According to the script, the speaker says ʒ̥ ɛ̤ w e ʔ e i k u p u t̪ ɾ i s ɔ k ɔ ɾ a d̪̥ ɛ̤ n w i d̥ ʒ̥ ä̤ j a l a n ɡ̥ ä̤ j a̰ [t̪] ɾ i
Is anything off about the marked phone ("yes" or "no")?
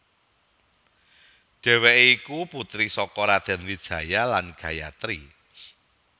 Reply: no